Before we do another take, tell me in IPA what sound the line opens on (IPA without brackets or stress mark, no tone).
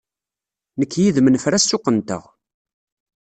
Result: n